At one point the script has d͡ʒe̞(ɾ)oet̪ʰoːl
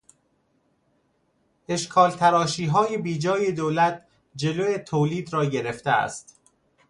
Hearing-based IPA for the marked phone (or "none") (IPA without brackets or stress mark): l